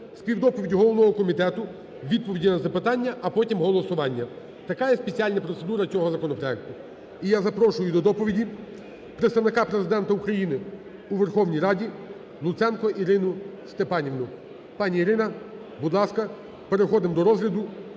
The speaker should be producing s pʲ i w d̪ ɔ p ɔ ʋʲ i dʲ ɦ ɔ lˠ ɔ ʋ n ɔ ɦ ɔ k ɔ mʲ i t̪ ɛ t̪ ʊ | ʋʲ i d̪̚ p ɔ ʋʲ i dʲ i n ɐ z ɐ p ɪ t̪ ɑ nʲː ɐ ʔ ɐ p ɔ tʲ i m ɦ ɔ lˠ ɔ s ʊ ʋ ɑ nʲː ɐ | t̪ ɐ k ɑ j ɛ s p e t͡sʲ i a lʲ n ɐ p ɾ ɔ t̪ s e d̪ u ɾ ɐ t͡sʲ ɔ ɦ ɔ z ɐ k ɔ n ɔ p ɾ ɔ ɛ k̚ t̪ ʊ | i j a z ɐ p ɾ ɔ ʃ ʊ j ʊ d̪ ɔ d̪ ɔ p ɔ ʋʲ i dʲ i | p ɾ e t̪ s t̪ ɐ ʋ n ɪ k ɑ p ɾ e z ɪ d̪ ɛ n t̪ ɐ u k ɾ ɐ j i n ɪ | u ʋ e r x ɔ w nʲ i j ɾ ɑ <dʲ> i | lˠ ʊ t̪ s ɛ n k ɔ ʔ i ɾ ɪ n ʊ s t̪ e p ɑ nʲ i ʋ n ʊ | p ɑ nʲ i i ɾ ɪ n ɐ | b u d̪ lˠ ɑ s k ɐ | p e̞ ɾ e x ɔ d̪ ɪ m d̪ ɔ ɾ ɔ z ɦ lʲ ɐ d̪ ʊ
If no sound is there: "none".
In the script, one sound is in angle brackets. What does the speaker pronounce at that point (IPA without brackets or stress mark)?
dʲ